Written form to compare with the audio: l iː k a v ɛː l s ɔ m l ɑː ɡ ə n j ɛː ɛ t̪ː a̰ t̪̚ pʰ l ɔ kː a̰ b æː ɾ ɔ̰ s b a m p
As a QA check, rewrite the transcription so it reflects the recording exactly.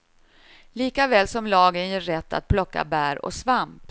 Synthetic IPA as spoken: l iː k a v ɛː l s ɔ m l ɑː ɡ ə n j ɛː ɛ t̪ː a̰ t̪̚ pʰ l ɔ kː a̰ b æː ɾ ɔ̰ s v a m p

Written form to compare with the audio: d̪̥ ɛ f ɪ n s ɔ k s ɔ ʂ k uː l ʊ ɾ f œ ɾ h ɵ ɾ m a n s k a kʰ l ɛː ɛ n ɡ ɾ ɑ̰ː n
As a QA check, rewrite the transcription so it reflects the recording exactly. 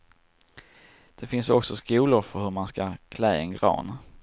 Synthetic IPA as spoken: d̪̥ ɛ f ɪ n s ɔ k s ɔ s k uː l ʊ ɾ f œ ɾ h ɵ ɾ m a n s k a kʰ l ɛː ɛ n ɡ ɾ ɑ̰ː n

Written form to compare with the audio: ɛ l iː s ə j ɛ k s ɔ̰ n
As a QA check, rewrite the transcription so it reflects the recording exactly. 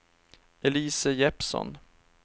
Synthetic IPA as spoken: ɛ l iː s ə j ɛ p s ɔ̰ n

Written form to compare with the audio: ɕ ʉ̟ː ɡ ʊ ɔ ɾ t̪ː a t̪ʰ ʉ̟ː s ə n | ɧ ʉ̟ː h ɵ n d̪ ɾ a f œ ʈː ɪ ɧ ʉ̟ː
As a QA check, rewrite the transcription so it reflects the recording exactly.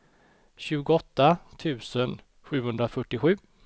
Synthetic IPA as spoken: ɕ ʉ̟ː ɡ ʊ ɔ t̪ː a t̪ʰ ʉ̟ː s ə n | ɧ ʉ̟ː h ɵ n d̪ ɾ a f œ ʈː ɪ ɧ ʉ̟ː

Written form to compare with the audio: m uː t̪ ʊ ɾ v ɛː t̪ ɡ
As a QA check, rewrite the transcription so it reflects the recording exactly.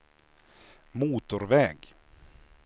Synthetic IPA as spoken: m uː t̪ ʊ ɾ v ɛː ɡ

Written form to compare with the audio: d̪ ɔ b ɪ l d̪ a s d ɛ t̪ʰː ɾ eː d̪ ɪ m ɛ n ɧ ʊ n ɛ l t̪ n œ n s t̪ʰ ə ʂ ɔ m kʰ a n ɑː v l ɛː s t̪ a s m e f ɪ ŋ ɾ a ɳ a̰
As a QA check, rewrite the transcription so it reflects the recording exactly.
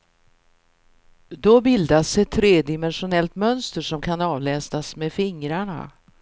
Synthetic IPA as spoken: d̪ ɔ b ɪ l d̪ a s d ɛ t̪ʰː ɾ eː d̪ ɪ m ɛ n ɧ ʊ n ɛ l t̪ m œ n s t̪ ə ʂ ɔ m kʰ a n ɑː v l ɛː s t̪ a s m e f ɪ ŋ ɾ a ɳ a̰

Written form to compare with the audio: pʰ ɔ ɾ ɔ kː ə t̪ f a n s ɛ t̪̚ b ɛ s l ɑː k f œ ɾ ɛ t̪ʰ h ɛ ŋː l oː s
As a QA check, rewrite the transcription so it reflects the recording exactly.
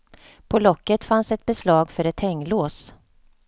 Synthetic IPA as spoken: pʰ ɔ l ɔ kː ə t̪ f a n s ɛ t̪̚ b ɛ s l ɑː ɡ f œ ɾ ɛ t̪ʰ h ɛ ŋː l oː s

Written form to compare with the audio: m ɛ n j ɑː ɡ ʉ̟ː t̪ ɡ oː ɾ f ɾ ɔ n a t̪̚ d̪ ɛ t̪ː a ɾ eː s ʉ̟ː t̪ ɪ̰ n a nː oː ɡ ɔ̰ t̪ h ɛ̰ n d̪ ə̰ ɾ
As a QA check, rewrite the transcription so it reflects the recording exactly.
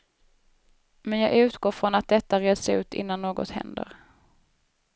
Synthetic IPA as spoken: m ɛ n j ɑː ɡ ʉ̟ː t̪ ɡ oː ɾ f ɾ ɔ n a t̪̚ d̪ ɛ t̪ː a ɾ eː s ʉ̟ː t̪ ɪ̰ nː a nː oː ɡ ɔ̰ t̪ h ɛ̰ n d̪ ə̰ ɾ

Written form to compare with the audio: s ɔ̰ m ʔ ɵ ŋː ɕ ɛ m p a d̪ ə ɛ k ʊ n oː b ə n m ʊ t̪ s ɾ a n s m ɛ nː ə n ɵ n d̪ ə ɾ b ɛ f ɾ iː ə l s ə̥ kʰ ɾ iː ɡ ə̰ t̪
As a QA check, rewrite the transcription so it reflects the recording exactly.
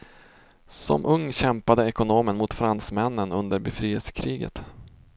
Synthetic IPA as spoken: s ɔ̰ m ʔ ɵ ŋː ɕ ɛ m p a d̪ ə ɛ k ʊ n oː m ə n m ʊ t̪ f ɾ a n s m ɛ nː ə n ɵ n d̪ ə ɾ b ɛ f ɾ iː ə l s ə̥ kʰ ɾ iː ɡ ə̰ t̪

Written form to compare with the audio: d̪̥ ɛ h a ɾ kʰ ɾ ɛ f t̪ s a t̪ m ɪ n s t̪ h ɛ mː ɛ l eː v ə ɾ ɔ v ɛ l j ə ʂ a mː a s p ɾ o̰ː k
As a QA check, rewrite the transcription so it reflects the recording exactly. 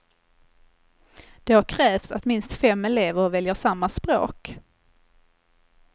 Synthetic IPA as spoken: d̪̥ ɛ h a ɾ kʰ ɾ ɛː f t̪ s a t̪ m ɪ n s t̪ f ɛ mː ɛ l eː v ə ɾ ɔ v ɛ l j ə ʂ a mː a s p ɾ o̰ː k

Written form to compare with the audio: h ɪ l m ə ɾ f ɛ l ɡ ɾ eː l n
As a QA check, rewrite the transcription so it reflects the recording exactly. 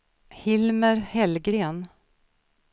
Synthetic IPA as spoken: h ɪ l m ə ɾ h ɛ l ɡ ɾ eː n

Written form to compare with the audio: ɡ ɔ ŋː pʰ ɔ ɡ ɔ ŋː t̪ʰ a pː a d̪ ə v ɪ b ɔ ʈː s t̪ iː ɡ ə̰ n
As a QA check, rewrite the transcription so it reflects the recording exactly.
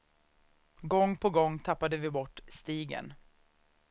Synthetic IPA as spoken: ɡ ɔ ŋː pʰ ɔ ɡ ɔ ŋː t̪ʰ a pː a d̪ ə v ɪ b ɔ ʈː s t̪ iː ɡ ə̰ n

